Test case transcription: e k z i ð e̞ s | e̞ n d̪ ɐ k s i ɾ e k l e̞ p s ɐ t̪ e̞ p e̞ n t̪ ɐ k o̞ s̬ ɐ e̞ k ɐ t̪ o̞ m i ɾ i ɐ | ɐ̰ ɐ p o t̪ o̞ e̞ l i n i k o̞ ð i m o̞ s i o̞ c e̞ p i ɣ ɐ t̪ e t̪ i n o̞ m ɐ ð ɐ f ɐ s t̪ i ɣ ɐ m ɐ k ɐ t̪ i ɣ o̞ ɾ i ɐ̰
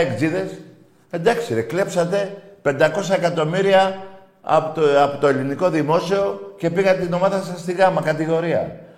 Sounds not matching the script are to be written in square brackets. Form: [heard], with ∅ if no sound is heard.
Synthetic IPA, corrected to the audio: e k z i ð e̞ s | e̞ n d̪ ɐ k s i ɾ e k l e̞ p s ɐ t̪ e̞ p e̞ n [d̪] ɐ k o̞ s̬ ɐ e̞ k ɐ t̪ o̞ m i ɾ i ɐ | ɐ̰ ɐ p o t̪ o̞ e̞ l i n i k o̞ ð i m o̞ s i o̞ c e̞ p i ɣ ɐ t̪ e t̪ i n o̞ m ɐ ð ɐ [s] ɐ s t̪ i ɣ ɐ m ɐ k ɐ t̪ i ɣ o̞ ɾ i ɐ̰